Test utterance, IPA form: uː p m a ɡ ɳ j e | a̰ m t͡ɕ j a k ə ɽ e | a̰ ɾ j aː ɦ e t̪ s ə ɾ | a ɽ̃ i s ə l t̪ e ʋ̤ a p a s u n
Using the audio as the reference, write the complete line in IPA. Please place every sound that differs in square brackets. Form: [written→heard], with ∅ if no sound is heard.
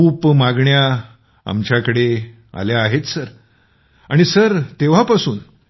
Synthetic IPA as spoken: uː p m a ɡ ɳ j [e→a] | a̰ m t͡ɕ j a k ə ɽ e | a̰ [ɾ→l] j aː ɦ e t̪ s ə ɾ | a ɽ̃ i s ə [l→ɾ] t̪ e ʋ̤ a p a s [u→uː] n